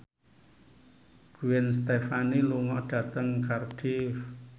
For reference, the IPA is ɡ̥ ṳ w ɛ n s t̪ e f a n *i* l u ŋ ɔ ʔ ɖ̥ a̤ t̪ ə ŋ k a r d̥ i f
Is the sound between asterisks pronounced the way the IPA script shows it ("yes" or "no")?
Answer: yes